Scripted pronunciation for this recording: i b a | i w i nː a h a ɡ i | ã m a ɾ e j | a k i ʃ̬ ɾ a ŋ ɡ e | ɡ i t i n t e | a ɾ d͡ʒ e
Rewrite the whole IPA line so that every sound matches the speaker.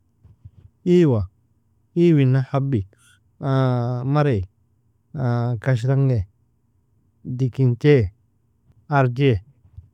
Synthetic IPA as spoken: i w a | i w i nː a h a b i | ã m a ɾ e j | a k a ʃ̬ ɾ a ŋ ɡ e | d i k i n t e | a ɾ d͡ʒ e